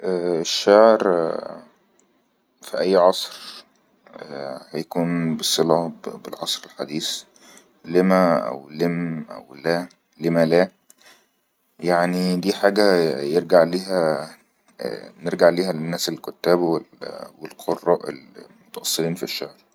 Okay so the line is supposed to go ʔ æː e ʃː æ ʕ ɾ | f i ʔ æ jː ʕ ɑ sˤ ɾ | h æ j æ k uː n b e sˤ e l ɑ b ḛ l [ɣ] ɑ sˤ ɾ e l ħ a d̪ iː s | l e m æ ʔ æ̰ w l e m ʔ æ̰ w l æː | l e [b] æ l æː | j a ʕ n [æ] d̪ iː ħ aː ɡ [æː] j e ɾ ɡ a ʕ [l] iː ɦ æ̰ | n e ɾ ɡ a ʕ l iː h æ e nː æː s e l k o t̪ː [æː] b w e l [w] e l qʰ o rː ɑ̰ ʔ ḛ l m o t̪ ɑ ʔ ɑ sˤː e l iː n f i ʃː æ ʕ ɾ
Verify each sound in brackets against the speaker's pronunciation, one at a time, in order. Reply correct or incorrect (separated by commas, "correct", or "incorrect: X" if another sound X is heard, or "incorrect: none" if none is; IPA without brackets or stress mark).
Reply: incorrect: ʕ, incorrect: m, incorrect: i, incorrect: æ, correct, correct, correct